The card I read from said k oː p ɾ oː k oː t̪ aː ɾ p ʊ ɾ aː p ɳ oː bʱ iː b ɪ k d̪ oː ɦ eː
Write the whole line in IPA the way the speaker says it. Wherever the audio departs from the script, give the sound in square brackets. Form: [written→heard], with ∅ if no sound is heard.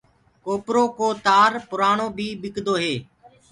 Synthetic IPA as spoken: k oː p ɾ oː k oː t̪ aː ɾ p ʊ ɾ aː [p→∅] ɳ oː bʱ iː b ɪ k d̪ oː ɦ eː

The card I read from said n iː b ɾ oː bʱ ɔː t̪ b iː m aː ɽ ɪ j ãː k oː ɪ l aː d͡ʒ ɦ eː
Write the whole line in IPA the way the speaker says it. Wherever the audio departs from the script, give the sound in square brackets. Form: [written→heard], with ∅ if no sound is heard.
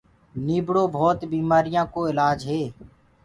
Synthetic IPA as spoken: n iː b [ɾ→ɽ] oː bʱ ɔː t̪ b iː m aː [ɽ→ɾ] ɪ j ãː k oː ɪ l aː d͡ʒ ɦ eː

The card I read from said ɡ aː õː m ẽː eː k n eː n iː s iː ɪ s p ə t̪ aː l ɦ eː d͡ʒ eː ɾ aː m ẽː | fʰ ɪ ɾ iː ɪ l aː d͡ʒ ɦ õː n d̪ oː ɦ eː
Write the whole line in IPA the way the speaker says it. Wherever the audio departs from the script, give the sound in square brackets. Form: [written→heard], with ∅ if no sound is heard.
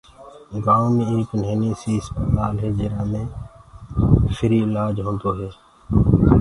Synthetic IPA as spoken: ɡ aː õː m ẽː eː k n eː n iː s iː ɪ s p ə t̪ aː l ɦ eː d͡ʒ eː ɾ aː m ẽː | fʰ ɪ ɾ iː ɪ l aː d͡ʒ ɦ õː n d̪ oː ɦ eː

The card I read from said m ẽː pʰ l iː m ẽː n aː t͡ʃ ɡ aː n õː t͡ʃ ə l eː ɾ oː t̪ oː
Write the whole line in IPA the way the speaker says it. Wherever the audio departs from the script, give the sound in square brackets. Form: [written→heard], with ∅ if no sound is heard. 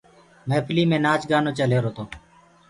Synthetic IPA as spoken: m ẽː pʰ l iː m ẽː n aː t͡ʃ ɡ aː n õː t͡ʃ ə l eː ɾ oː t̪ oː

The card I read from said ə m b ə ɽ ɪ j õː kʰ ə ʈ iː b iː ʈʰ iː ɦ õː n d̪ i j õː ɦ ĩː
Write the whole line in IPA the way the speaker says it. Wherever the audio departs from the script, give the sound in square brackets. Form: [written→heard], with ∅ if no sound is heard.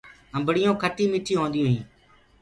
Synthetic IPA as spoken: ə m b ə ɽ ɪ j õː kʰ ə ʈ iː [b→m] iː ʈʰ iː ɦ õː n d̪ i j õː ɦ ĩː

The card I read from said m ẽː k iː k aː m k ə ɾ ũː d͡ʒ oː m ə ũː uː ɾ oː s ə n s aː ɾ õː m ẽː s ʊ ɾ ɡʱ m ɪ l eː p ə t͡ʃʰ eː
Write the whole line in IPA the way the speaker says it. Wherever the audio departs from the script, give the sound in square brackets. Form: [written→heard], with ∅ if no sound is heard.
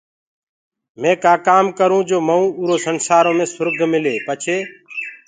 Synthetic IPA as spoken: m ẽː k [iː→aː] k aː m k ə ɾ ũː d͡ʒ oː m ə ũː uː ɾ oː s ə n s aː ɾ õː m ẽː s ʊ ɾ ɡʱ m ɪ l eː p ə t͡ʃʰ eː

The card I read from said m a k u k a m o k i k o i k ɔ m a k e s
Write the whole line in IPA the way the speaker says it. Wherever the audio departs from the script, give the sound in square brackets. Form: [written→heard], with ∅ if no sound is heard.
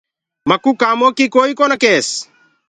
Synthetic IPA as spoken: m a k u k a m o k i k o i k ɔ [m→n] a k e s

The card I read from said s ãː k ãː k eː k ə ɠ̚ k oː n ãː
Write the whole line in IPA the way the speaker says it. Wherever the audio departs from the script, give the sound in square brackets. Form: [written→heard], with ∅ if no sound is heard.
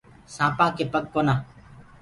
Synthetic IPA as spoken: s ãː [k→p] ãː k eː [k→p] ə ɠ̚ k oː n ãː

